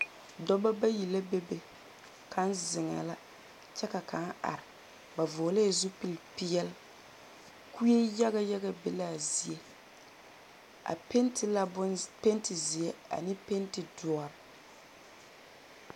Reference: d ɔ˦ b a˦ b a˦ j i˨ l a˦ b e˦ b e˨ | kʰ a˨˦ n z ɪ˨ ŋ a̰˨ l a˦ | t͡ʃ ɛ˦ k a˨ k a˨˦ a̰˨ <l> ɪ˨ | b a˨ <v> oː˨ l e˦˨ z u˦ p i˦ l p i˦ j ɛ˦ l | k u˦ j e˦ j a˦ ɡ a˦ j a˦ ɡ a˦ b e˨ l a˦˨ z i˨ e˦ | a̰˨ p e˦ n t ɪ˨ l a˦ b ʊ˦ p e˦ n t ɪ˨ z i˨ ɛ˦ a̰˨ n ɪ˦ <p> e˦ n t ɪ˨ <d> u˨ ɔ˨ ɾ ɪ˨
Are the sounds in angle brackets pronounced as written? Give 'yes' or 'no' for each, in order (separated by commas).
no, yes, yes, yes